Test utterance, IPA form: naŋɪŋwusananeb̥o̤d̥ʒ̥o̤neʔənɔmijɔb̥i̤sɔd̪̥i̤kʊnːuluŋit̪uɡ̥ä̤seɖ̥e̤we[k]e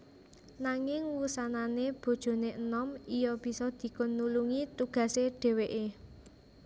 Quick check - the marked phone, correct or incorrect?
incorrect